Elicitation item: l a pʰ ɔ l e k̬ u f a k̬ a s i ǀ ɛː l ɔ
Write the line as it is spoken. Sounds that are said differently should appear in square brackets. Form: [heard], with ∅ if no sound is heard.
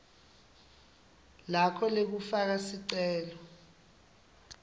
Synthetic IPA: l a [kʰ] ɔ l e k̬ u f a k̬ a s i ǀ ɛː l ɔ